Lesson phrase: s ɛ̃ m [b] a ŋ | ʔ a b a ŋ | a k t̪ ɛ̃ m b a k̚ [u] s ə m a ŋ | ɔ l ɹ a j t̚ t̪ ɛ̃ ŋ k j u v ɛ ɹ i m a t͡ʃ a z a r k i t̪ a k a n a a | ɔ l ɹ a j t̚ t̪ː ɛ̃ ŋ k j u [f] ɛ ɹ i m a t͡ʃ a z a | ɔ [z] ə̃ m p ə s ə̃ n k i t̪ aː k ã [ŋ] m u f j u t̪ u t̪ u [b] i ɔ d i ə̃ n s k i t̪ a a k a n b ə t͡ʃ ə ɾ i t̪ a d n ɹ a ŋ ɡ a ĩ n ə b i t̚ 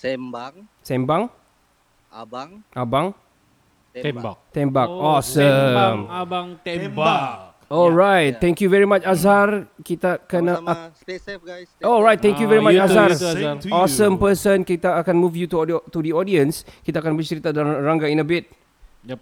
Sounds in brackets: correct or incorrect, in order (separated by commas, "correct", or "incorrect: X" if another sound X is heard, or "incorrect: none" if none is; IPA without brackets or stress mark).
correct, incorrect: ɔ, incorrect: v, incorrect: s, incorrect: n, incorrect: d